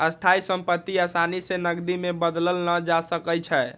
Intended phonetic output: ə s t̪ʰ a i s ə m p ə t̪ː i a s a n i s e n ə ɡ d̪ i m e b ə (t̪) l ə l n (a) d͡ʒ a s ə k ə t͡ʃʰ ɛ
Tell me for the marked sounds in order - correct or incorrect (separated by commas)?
incorrect, incorrect